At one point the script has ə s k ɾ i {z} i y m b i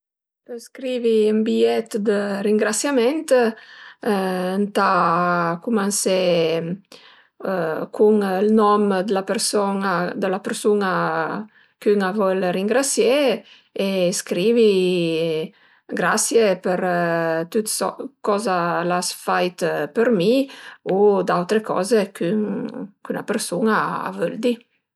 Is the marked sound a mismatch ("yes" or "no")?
yes